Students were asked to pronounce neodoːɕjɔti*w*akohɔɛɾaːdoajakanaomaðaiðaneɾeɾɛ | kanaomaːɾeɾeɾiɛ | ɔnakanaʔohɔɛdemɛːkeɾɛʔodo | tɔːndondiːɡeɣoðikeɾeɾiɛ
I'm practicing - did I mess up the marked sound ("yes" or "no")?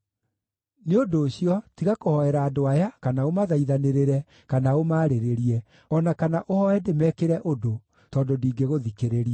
yes